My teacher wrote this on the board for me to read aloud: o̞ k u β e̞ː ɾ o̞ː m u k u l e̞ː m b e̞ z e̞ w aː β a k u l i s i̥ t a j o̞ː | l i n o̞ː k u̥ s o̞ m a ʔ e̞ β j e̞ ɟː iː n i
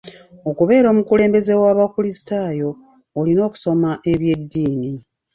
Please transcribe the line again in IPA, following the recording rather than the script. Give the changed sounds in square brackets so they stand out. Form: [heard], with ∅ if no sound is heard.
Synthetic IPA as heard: o̞ k u β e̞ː ɾ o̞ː m u k u l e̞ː m b e̞ z e̞ w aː β a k u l i s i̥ t a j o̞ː | l i n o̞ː k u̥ s o̞ m a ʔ e̞ β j e̞ [dː] iː n i